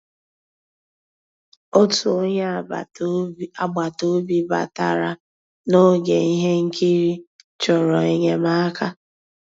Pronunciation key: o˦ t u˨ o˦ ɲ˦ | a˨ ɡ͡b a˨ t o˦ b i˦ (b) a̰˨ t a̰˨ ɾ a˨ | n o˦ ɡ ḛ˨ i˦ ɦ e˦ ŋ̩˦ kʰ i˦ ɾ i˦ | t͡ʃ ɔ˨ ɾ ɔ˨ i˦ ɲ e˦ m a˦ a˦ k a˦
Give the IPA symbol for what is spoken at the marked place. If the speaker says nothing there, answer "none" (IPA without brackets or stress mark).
b